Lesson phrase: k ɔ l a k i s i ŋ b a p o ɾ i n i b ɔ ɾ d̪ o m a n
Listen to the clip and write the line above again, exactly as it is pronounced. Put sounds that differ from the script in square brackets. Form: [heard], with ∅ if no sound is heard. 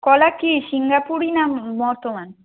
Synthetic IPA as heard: k ɔ l a k i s i ŋ [ɡ] a p [u] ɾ i n [a] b ɔ ɾ [t̪] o m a n